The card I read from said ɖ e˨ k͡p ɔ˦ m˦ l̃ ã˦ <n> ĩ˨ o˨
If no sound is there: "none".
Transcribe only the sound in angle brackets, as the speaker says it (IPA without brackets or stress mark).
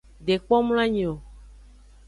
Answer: ɲ